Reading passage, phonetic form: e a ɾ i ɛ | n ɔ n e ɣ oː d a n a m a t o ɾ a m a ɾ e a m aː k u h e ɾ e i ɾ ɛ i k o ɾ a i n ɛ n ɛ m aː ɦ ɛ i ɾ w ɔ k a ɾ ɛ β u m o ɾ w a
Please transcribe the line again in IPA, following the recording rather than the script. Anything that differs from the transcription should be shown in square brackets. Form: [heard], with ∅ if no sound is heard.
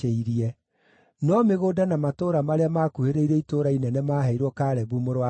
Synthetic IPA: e [i] ɾ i ɛ | n ɔ [m] e ɣ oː d a n a m a t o ɾ a m a ɾ e a m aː k u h e ɾ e i ɾ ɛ i [t] o ɾ a i n ɛ n ɛ m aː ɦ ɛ i ɾ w ɔ k a ɾ ɛ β u m o ɾ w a